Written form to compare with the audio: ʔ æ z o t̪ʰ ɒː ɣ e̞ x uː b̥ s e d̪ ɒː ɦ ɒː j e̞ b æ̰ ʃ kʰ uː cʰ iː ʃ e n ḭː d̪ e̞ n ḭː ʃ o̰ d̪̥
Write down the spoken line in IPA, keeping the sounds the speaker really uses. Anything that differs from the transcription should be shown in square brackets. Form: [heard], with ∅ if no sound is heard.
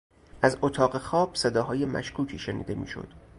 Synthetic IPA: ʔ æ z o t̪ʰ ɒː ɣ e̞ x [ɒː] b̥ s e d̪ ɒː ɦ ɒː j e̞ [m] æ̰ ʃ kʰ uː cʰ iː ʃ e n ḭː d̪ e̞ [m] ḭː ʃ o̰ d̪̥